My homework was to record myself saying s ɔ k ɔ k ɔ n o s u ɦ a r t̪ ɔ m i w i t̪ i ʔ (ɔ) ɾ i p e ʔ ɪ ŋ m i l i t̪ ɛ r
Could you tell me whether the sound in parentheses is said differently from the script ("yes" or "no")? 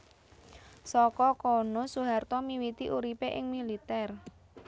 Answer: yes